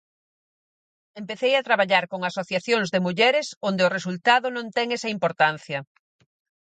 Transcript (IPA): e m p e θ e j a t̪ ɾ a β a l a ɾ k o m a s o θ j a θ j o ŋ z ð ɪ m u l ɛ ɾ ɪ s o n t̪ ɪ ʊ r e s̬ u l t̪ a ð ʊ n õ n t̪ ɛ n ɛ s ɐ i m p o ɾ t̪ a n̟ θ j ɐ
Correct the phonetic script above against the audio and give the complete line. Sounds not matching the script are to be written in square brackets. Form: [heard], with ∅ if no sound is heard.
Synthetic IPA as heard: e m p e θ e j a t̪ ɾ a β a [ʎ] a ɾ k o [ŋ] a s o θ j a θ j o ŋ z ð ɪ m u [ʎ] ɛ ɾ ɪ s o n [d̪] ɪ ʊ r e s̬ u l t̪ a ð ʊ n õ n t̪ ɛ [ŋ] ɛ s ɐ i m p o ɾ t̪ a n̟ θ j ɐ